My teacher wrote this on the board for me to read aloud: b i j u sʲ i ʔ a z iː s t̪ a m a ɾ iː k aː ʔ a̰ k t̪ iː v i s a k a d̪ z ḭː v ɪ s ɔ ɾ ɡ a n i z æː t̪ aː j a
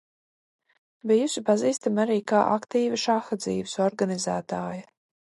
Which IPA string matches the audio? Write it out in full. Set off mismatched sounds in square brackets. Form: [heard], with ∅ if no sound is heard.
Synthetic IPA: b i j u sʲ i [p] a z iː s t̪ a m a ɾ iː k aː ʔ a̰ k t̪ iː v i [ʃ] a [x] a d̪ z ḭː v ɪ s ɔ ɾ ɡ a n i z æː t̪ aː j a